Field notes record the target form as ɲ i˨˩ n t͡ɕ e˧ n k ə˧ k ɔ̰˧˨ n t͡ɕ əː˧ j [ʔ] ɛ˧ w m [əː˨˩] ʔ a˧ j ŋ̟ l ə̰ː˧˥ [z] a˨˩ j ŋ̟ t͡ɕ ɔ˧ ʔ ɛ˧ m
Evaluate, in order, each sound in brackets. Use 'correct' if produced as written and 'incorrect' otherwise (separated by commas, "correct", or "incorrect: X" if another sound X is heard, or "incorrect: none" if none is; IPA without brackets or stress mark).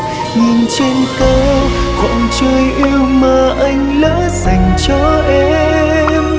correct, correct, correct